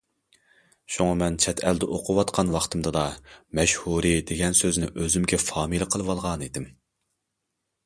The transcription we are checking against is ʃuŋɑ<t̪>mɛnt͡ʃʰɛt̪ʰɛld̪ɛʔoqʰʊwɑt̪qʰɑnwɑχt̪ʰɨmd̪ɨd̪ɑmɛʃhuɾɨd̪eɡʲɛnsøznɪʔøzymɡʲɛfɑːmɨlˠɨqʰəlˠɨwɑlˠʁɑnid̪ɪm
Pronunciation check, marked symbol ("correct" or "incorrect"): incorrect